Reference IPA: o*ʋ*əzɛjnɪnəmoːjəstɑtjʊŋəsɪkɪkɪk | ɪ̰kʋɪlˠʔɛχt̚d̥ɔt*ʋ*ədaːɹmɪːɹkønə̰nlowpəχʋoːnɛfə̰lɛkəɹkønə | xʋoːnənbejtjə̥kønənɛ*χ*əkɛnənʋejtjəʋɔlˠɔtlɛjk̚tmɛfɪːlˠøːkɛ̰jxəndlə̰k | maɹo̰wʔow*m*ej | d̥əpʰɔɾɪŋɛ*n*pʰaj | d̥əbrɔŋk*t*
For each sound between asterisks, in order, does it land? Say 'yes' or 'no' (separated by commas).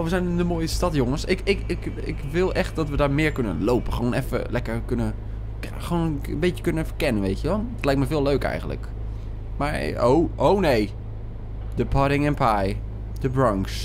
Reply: yes, yes, no, no, yes, no